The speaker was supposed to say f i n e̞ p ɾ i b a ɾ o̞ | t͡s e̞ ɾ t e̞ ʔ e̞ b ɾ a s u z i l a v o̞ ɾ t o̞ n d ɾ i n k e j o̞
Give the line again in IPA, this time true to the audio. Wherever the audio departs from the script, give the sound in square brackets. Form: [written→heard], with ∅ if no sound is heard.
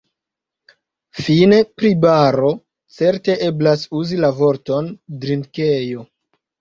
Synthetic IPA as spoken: f i n e̞ p ɾ i b a ɾ o̞ | t͡s e̞ ɾ t e̞ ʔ e̞ b [ɾ→l] a s u z i l a v o̞ ɾ t o̞ n d ɾ i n k e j o̞